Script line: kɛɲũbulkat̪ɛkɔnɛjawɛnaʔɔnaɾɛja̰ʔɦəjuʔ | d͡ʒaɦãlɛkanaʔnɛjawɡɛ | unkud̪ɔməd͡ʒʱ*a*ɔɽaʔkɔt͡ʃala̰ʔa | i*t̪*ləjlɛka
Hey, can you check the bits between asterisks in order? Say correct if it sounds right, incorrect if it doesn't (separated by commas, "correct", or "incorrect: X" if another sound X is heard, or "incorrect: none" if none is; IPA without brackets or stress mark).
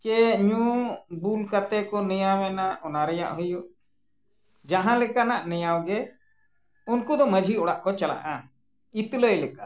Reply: incorrect: i, correct